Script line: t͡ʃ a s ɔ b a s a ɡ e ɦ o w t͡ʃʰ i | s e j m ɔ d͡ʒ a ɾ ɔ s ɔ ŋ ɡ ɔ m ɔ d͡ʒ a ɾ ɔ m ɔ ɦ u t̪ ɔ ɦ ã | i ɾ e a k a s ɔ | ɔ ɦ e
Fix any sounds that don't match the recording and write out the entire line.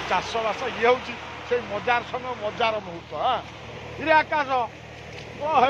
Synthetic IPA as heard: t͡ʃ a s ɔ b a s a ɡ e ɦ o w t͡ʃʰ i | s e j m ɔ d͡ʒ a ɾ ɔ s ɔ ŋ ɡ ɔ m ɔ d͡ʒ a ɾ ɔ m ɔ ɦ u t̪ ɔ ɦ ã | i ɾ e a k a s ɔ | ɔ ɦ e